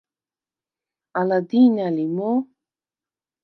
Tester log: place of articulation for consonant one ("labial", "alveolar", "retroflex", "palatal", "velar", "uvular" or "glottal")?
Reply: alveolar